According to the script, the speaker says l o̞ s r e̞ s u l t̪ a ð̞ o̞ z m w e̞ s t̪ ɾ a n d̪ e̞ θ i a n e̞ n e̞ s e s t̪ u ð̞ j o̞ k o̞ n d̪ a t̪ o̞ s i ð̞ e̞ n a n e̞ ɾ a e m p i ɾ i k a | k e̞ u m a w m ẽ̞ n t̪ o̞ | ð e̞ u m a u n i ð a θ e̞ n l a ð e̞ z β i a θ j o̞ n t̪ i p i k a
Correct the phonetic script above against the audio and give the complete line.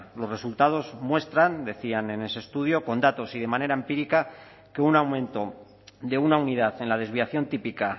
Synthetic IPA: l o̞ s r e̞ s u l t̪ a ð̞ o̞ z m w e̞ s t̪ ɾ a n d̪ e̞ θ i a n e̞ n e̞ s e s t̪ u ð̞ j o̞ k o̞ n d̪ a t̪ o̞ s i ð̞ e̞ m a n e̞ ɾ a e m p i ɾ i k a | k e̞ u n a w m ẽ̞ n t̪ o̞ | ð e̞ u n a u n i ð a θ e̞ n l a ð e̞ z β i a θ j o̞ n t̪ i p i k a